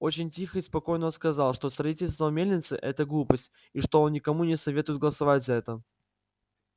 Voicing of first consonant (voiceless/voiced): voiceless